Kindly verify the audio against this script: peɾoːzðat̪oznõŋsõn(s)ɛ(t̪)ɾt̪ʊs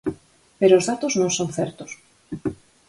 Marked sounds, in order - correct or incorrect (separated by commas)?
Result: incorrect, incorrect